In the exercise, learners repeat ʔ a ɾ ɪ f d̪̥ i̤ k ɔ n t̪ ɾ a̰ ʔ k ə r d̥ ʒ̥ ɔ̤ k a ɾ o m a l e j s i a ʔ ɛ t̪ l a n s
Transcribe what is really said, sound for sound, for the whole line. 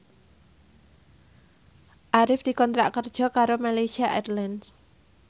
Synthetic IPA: ʔ a ɾ ɪ f d̪̥ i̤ k ɔ n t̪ ɾ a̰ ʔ k ə r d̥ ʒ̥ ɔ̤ k a ɾ o m a l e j s i a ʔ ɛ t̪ l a n s